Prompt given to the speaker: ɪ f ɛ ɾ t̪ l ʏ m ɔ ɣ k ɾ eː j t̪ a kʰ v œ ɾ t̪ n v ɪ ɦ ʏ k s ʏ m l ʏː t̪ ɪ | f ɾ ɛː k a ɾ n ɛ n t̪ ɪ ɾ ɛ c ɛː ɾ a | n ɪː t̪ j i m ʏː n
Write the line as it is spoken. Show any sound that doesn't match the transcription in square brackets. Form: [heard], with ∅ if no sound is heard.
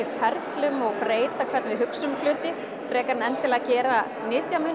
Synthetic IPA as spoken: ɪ f ɛ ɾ t̪ l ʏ m ɔ ɣ [p] ɾ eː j t̪ a kʰ v [ɛ] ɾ t̪ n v ɪ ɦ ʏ k s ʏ m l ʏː t̪ ɪ | f ɾ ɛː k a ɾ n ɛ n t̪ ɪ [l] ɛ c ɛː ɾ a | n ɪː t̪ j [a] m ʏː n